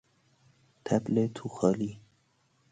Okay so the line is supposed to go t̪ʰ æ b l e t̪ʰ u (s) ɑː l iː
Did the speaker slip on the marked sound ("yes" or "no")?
yes